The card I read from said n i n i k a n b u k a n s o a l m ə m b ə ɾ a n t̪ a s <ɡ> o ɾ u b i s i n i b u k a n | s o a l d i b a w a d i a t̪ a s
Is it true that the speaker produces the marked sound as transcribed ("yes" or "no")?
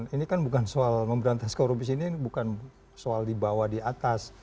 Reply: no